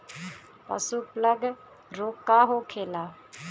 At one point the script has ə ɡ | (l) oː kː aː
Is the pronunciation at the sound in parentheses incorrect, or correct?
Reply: incorrect